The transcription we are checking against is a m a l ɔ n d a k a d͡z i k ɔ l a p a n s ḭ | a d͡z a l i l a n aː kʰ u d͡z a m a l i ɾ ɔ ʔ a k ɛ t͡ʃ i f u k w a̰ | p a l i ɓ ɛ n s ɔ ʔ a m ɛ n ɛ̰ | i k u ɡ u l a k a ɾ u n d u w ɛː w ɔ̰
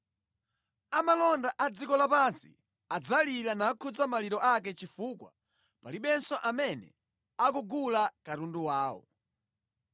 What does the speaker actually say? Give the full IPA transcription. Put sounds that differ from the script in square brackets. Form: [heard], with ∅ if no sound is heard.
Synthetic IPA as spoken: a m a l ɔ n d a [ʔ] a d͡z i k ɔ l a p a n s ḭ | a d͡z a l i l a n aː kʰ u d͡z a m a l i ɾ ɔ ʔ a k ɛ t͡ʃ i f u k w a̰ | p a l i ɓ ɛ n s ɔ ʔ a m ɛ n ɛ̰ | [a] k u ɡ u l a k a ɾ u n d u w [aː] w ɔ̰

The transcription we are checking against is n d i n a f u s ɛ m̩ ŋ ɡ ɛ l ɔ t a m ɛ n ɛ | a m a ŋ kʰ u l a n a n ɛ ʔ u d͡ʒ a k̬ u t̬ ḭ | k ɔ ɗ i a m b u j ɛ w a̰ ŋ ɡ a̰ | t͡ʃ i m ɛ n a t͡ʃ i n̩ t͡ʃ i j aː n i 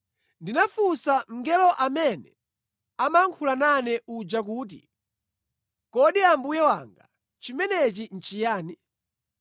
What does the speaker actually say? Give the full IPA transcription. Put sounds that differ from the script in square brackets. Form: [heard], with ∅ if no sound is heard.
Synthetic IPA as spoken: n d i n a f u s [a] m̩ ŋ ɡ ɛ l ɔ [ʔ] a m ɛ n ɛ | a m a ŋ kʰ u l a n a n ɛ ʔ u d͡ʒ a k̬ [uː] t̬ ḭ | k ɔ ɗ i a m b u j ɛ w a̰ ŋ ɡ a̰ | t͡ʃ i m ɛ n [ɛ] t͡ʃ i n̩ t͡ʃ i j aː n i

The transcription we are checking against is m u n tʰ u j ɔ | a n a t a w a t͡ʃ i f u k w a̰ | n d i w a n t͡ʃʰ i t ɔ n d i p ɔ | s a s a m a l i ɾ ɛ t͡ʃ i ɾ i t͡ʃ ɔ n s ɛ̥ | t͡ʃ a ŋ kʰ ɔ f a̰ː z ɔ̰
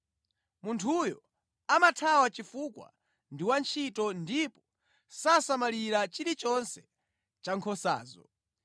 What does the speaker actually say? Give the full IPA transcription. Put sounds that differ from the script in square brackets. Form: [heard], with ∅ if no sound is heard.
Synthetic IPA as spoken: m u n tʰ u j ɔ | a [m] a [tʰ] a w a t͡ʃ i f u k w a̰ | n d i w a n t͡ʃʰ i t ɔ n d i p ɔ | s a s a m a l i ɾ [a] t͡ʃ i ɾ i t͡ʃ ɔ n s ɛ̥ | t͡ʃ a ŋ kʰ ɔ [s] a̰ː z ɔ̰

